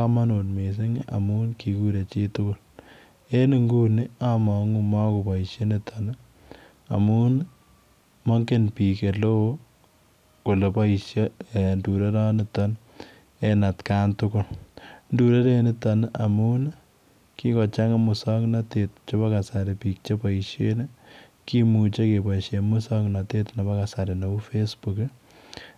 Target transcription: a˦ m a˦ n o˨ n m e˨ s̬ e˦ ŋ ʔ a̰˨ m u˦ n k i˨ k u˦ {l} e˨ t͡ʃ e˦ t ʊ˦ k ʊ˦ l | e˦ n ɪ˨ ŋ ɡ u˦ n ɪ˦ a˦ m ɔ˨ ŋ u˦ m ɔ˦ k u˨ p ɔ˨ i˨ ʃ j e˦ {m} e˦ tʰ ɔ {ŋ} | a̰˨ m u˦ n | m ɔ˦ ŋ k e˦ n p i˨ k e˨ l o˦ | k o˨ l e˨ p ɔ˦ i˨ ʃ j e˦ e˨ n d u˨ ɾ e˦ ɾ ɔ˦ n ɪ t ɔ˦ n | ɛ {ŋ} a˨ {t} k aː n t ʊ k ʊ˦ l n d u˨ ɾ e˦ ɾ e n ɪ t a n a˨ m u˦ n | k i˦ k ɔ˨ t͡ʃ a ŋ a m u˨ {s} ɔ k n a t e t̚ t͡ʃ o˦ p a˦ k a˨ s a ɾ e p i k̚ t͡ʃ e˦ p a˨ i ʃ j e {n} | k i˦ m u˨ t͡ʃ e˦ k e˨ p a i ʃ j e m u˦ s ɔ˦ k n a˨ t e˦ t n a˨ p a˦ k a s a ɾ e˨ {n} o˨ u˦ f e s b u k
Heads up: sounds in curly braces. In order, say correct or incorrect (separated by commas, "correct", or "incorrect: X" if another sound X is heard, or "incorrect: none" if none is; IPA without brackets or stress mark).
incorrect: ɾ, incorrect: n, incorrect: n, incorrect: n, correct, correct, correct, correct